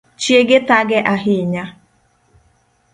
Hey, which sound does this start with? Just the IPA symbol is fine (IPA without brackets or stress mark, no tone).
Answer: t͡ʃ